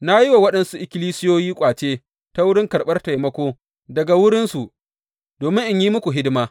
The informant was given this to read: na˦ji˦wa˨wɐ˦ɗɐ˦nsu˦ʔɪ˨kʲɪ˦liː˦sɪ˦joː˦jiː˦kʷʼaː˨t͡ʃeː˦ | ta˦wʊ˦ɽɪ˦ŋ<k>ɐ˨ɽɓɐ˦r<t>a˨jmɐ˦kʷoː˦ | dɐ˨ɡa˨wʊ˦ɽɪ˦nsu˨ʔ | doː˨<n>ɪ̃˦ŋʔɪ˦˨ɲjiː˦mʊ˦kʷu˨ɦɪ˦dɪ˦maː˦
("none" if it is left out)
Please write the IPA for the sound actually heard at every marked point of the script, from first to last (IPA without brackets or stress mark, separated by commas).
k, t, m